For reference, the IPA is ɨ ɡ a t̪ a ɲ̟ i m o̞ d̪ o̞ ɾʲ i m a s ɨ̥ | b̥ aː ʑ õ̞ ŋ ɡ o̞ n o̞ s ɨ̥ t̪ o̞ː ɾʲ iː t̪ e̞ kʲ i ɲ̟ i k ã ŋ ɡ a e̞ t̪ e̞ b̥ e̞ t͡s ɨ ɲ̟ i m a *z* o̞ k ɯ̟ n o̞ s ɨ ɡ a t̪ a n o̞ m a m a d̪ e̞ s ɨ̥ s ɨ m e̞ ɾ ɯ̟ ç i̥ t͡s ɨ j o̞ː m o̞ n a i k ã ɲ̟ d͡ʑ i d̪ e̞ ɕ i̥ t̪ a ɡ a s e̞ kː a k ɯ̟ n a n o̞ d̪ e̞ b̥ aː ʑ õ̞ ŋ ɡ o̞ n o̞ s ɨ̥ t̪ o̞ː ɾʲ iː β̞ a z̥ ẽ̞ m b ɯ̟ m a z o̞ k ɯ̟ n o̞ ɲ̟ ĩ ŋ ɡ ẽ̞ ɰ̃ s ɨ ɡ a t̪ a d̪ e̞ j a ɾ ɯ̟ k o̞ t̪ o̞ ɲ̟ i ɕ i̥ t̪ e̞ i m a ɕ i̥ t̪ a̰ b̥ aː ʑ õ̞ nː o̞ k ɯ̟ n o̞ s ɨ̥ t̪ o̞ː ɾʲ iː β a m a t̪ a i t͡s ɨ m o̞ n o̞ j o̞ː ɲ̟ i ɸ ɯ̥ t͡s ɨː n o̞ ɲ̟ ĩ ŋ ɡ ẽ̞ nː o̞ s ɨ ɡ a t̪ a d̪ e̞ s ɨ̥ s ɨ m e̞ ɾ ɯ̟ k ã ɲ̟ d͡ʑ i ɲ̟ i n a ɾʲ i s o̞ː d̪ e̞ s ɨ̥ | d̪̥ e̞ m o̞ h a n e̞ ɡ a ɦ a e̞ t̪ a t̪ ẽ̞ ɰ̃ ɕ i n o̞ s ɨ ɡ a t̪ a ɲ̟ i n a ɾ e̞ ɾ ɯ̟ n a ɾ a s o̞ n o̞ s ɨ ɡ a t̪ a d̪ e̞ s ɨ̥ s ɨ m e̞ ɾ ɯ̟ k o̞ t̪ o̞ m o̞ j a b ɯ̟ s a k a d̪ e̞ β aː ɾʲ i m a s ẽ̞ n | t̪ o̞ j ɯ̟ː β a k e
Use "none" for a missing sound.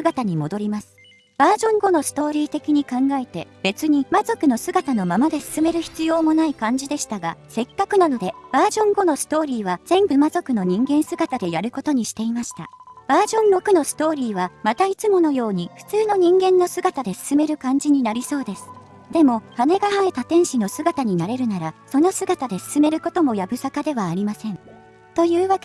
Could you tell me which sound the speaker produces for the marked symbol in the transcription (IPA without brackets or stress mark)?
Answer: z